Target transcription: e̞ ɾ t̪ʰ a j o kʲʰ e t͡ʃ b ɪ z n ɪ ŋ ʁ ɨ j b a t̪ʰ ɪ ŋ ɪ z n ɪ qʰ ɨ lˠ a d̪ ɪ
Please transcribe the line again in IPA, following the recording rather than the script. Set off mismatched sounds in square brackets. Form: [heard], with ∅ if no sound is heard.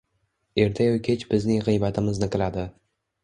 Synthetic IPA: e̞ ɾ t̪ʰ a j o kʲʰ e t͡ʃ b ɪ z n ɪ ŋ ʁ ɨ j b a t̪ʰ ɪ [m] ɪ z n ɪ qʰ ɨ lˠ a d̪ ɪ